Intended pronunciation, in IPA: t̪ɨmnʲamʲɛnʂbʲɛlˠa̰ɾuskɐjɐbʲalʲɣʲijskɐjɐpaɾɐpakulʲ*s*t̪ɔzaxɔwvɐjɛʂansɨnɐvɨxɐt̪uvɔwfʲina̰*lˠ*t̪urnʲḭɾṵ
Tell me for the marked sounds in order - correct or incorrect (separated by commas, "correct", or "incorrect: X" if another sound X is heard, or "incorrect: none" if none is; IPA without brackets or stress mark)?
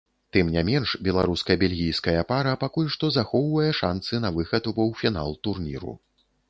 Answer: incorrect: ʂ, correct